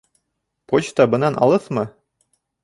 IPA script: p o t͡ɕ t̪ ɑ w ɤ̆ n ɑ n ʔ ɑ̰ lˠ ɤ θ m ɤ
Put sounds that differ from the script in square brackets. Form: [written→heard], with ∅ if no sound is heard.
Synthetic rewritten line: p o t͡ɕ t̪ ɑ [w→b] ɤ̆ n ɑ n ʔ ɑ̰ lˠ ɤ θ m ɤ

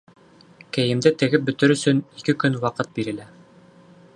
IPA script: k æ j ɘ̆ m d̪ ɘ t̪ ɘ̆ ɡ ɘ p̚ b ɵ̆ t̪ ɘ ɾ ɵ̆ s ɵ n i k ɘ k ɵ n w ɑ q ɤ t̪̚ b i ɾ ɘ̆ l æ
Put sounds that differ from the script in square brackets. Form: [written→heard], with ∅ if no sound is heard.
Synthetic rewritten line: k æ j ɘ̆ m d̪ ɘ t̪ ɘ̆ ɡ ɘ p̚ b ɵ̆ t̪ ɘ ɾ ɵ̆ s ɵ n i k ɘ k ɵ n w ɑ q ɤ t̪̚ b i ɾ ɘ̆ l æ

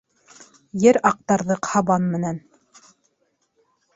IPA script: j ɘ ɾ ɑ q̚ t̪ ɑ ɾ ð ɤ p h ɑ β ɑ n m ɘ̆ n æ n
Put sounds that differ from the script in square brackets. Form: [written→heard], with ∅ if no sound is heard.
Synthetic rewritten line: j ɘ ɾ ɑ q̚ t̪ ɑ ɾ ð ɤ [p→q] h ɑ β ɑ n m ɘ̆ n æ n

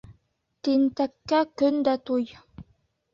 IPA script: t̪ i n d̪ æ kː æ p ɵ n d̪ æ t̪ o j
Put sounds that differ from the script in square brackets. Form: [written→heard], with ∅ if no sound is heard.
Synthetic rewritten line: t̪ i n [d̪→t̪] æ kː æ [p→k] ɵ n d̪ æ t̪ [o→u] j

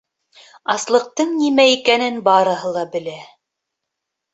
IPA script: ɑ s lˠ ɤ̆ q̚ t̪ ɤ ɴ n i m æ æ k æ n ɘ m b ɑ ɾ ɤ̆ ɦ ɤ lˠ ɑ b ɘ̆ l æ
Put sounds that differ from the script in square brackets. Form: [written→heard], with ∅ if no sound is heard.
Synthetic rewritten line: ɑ s lˠ ɤ̆ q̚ t̪ ɤ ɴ n i m æ [æ→i] k æ n ɘ [m→n] b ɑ ɾ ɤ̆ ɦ ɤ lˠ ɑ b ɘ̆ l æ

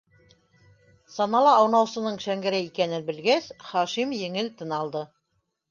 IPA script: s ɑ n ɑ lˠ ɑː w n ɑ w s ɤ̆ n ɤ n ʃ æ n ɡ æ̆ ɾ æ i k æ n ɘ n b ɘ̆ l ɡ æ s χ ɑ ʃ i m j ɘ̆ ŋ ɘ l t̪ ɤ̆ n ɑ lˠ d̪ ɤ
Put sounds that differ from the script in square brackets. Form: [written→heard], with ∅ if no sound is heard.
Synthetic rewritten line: s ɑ n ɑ lˠ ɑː w n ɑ w s ɤ̆ n ɤ [n→ɴ] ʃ æ [n→ŋ] ɡ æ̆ ɾ æ i k æ n ɘ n b ɘ̆ l ɡ æ s χ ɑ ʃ i m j ɘ̆ ŋ ɘ l t̪ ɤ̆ n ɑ lˠ d̪ ɤ

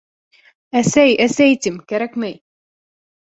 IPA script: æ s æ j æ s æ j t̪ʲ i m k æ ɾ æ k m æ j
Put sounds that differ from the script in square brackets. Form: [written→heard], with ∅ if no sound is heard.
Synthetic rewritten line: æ s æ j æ s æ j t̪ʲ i m k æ ɾ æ k m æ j

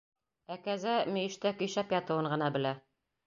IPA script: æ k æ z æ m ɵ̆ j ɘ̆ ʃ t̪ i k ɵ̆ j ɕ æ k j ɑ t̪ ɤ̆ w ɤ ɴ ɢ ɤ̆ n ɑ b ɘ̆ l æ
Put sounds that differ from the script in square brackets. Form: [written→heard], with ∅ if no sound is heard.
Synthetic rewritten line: æ k æ z æ m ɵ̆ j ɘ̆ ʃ t̪ [i→æ] k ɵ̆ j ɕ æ [k→p] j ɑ t̪ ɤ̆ w ɤ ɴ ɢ ɤ̆ n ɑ b ɘ̆ l æ

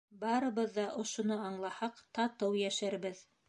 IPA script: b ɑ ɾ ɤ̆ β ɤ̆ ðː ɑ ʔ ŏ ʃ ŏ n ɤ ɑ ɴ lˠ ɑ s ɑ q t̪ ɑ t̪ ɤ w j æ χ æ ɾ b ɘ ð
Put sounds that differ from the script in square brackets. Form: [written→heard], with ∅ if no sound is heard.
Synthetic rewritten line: b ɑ ɾ ɤ̆ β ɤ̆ ðː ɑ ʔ ŏ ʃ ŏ n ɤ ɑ ɴ lˠ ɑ [s→h] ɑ q t̪ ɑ t̪ ɤ w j æ [χ→ʃ] æ ɾ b ɘ ð

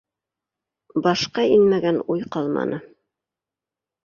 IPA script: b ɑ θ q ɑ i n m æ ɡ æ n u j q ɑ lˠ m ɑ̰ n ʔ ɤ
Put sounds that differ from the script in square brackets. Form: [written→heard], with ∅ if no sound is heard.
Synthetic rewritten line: b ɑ [θ→ʃ] q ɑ i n m æ ɡ æ n u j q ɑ lˠ m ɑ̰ n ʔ ɤ

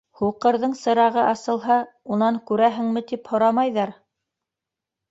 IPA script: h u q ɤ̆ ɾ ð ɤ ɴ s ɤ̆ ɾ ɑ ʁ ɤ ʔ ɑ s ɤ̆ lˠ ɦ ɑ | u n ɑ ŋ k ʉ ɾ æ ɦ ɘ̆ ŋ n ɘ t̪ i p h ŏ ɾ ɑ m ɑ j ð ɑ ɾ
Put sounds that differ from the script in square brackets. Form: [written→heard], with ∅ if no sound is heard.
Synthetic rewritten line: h u q ɤ̆ ɾ ð ɤ ɴ s ɤ̆ ɾ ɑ ʁ ɤ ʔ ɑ s ɤ̆ lˠ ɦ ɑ | u n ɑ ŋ k ʉ ɾ æ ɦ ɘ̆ ŋ [n→m] ɘ t̪ i p h ŏ ɾ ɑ m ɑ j ð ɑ ɾ

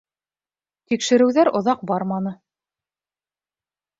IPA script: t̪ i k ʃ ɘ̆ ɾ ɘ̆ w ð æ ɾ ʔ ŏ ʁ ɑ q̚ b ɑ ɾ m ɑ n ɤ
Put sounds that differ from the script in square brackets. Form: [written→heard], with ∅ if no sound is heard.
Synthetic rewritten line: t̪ i k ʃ ɘ̆ ɾ ɘ̆ w ð æ ɾ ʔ ŏ [ʁ→ð] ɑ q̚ b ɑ ɾ m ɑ n ɤ

